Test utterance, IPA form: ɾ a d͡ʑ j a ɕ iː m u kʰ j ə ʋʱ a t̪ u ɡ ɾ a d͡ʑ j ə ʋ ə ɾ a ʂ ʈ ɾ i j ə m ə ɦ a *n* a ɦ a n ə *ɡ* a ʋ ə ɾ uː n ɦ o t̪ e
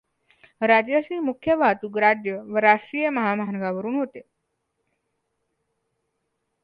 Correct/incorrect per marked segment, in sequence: incorrect, correct

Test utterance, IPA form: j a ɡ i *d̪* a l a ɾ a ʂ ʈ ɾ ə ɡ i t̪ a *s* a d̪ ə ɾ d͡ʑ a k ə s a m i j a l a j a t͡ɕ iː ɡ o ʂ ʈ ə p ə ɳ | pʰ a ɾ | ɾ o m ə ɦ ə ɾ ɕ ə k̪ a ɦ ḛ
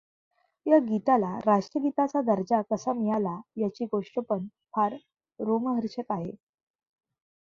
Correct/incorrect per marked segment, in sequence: incorrect, incorrect

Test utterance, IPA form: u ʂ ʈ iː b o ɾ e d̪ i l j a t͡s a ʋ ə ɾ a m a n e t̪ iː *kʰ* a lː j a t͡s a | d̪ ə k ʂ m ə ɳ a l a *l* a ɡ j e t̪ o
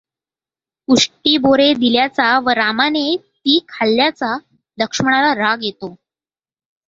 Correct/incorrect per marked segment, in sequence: correct, incorrect

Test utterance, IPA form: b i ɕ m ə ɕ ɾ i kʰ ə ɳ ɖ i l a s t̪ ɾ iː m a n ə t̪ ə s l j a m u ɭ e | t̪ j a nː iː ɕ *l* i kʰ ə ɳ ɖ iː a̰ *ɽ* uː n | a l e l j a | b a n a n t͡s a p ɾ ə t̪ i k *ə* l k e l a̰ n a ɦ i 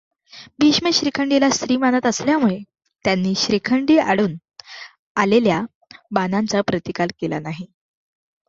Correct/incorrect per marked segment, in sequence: incorrect, correct, incorrect

